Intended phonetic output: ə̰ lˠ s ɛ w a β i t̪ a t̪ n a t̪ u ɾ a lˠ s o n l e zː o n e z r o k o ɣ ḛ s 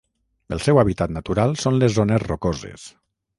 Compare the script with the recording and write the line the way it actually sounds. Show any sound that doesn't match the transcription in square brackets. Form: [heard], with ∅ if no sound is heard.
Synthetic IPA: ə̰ lˠ s ɛ w a β i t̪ a t̪ n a t̪ u ɾ a lˠ s o n l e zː o n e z r o k o [z] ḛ s